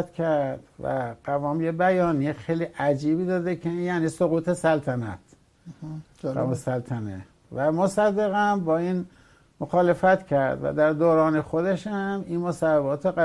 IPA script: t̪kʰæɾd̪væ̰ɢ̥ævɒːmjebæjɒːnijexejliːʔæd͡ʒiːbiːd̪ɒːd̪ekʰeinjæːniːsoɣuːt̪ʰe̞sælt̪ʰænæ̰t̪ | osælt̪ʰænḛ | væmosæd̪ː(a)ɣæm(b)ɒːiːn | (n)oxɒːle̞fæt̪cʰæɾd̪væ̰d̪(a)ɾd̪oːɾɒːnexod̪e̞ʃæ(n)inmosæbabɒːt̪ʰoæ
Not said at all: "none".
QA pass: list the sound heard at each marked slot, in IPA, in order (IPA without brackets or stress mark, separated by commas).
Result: e, b, m, æ, m